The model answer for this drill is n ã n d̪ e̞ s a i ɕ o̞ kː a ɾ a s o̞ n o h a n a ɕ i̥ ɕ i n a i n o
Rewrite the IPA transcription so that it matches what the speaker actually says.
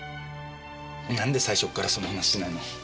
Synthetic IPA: n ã n d̪ e̞ s a i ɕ o̞ kː a ɾ a s o̞ n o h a n a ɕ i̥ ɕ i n a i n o